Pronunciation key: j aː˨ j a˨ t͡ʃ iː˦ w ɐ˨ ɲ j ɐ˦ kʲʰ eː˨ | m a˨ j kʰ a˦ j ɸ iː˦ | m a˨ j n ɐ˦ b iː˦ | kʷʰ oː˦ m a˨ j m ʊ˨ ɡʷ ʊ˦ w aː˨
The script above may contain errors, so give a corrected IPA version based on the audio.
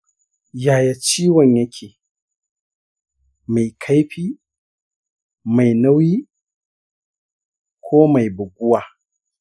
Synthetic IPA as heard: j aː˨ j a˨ t͡ʃ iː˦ w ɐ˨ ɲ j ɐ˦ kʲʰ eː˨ | m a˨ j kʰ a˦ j ɸ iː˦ | m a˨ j n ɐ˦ w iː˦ | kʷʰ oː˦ m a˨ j b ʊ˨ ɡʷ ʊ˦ w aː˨